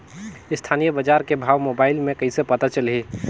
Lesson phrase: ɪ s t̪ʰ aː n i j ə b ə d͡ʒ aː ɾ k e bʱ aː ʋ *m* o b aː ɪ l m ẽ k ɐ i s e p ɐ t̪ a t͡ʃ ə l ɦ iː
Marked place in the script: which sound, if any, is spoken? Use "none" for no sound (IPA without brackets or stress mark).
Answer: m